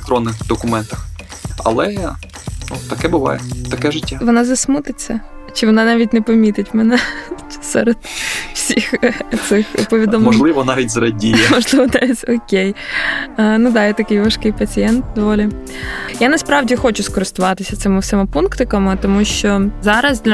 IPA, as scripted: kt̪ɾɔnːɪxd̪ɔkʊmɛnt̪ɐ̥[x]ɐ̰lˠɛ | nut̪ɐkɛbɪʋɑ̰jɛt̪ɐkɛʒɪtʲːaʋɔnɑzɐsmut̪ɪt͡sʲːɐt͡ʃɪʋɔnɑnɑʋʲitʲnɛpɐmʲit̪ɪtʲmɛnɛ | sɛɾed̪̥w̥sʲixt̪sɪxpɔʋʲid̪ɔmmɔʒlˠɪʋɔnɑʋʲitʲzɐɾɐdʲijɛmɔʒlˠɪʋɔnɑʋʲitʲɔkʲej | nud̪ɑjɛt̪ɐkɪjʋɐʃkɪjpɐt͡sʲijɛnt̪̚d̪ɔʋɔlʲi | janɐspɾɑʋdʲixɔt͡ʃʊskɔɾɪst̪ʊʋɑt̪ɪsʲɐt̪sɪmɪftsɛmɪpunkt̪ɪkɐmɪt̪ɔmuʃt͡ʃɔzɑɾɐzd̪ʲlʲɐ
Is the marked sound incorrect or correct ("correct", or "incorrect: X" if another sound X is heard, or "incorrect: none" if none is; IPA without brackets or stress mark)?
correct